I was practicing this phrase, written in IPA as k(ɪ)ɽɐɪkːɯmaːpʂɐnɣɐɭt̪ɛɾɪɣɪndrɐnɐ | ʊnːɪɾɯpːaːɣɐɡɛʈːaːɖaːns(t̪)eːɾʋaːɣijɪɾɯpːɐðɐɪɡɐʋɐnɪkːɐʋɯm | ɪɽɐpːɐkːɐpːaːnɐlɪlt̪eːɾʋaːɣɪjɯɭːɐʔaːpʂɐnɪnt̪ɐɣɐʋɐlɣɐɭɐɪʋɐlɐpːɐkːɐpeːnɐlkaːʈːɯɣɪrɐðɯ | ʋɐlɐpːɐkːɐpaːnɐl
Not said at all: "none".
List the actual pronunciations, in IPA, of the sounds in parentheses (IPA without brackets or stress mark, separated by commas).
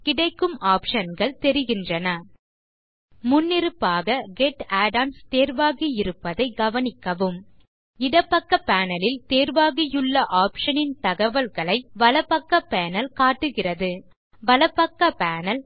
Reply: ɪ, t̪